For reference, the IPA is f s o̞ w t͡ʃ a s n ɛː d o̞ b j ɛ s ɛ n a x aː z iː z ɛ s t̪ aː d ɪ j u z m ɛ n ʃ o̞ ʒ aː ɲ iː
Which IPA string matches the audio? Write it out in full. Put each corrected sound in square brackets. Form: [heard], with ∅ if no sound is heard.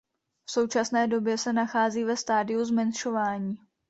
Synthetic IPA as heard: f s o̞ w t͡ʃ a s n ɛː d o̞ b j ɛ s ɛ n a x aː z iː [v] ɛ s t̪ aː d ɪ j u z m ɛ n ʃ o̞ [v] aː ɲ iː